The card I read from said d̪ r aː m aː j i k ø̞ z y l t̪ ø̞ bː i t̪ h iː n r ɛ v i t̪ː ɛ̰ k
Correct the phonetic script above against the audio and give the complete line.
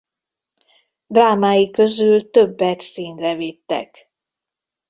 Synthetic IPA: d̪ r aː m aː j i k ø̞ z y l t̪ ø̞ bː ɛ t̪ s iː n r ɛ v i t̪ː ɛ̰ k